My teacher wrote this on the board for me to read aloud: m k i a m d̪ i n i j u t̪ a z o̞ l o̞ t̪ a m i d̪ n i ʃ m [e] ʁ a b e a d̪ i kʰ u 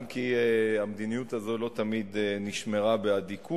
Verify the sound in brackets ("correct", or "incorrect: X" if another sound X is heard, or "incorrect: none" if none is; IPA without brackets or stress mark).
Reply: correct